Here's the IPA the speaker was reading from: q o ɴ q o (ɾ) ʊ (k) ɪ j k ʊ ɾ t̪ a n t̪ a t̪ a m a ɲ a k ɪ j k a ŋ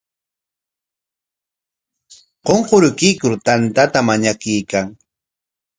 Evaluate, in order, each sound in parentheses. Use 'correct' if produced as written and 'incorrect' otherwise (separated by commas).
correct, correct